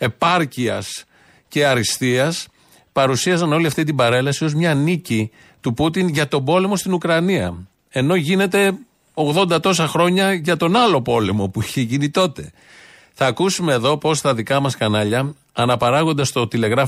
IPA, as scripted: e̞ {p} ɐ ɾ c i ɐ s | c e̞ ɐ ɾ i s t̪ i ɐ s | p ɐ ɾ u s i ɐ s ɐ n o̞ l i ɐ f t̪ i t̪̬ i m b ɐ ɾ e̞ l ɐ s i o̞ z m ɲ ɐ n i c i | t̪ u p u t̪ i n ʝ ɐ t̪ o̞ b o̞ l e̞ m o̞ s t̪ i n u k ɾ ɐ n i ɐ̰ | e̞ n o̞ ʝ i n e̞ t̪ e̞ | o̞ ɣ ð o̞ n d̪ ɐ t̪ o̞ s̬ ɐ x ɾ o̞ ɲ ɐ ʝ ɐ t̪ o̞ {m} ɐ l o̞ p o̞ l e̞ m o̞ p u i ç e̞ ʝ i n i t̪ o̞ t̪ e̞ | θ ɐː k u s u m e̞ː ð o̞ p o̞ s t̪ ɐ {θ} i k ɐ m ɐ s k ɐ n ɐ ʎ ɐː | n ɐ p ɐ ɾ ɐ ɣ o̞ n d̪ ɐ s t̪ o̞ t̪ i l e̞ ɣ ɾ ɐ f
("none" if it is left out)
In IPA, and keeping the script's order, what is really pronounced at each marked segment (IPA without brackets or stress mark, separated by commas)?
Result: p, n, ð